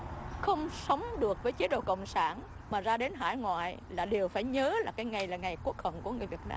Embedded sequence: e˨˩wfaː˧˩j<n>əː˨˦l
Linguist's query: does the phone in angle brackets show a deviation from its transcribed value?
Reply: yes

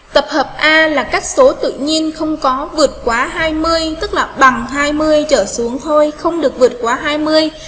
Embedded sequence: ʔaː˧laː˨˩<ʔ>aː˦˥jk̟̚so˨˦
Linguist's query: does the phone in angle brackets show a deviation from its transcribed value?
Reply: yes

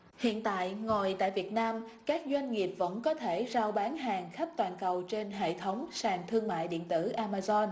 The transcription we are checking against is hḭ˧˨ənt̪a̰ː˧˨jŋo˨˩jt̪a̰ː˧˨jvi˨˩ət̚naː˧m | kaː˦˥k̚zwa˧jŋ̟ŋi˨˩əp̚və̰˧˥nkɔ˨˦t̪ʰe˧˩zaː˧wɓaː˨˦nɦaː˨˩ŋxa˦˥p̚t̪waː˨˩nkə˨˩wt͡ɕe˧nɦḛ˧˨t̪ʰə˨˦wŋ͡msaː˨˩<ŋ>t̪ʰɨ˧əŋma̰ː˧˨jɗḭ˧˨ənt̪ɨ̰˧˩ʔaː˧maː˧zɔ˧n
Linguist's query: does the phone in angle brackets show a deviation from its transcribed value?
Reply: no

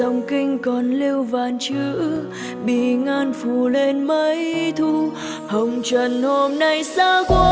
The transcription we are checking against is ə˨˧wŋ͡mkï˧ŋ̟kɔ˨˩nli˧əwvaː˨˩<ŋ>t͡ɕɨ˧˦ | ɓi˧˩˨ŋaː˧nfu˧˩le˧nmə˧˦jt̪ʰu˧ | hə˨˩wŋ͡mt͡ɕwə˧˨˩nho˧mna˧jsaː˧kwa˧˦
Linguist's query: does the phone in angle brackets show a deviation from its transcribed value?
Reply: yes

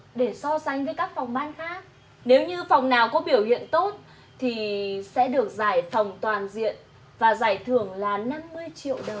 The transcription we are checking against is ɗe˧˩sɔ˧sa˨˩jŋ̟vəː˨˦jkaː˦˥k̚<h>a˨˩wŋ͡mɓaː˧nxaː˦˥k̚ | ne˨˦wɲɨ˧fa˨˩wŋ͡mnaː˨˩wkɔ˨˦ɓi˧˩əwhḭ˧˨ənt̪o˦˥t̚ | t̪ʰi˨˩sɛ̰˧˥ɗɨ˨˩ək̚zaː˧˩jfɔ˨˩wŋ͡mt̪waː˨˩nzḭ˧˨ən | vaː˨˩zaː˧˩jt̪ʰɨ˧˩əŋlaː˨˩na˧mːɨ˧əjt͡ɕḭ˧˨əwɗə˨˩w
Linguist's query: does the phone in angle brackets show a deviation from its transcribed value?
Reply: yes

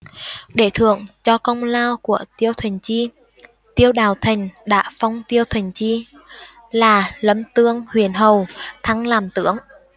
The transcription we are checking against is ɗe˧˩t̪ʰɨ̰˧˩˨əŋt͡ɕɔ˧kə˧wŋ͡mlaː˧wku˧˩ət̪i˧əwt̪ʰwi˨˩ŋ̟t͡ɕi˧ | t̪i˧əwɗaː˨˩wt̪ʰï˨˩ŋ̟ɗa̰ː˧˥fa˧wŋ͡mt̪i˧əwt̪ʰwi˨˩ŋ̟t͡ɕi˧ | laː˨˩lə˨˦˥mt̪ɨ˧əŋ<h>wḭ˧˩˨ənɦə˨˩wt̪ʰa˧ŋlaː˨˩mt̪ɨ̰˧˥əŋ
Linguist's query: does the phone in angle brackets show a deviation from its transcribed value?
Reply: no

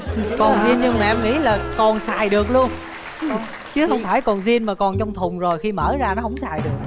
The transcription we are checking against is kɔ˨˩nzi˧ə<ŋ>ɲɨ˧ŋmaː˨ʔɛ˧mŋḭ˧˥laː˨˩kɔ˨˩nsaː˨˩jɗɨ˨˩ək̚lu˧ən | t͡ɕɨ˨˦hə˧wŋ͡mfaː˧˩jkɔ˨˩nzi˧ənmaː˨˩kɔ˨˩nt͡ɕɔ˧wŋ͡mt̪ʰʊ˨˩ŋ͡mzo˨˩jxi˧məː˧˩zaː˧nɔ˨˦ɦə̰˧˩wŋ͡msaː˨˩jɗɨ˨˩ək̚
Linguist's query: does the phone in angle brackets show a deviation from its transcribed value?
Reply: yes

